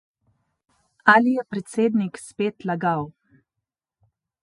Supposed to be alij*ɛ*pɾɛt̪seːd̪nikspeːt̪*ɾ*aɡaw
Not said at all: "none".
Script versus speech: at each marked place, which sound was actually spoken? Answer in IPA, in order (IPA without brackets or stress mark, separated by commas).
ɛ, l